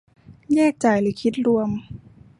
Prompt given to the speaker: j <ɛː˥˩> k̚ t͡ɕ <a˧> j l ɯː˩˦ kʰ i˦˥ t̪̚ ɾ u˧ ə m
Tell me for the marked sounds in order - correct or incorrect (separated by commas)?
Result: correct, incorrect